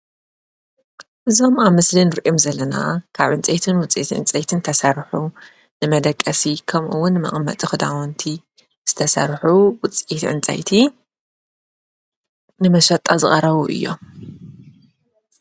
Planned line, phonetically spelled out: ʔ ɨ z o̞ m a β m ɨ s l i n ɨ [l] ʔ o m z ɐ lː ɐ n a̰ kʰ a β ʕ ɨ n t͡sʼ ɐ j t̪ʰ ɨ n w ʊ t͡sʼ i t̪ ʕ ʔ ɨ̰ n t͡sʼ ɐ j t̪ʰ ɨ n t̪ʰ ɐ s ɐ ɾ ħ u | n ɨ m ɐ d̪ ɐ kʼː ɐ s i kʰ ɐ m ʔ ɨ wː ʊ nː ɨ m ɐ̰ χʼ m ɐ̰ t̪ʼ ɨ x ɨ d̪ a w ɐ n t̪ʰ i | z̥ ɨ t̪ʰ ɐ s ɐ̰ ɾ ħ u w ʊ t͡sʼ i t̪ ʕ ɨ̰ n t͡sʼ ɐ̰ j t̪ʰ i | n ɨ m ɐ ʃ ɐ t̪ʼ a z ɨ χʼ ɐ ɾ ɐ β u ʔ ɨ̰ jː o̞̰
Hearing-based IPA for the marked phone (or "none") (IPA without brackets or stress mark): ɾ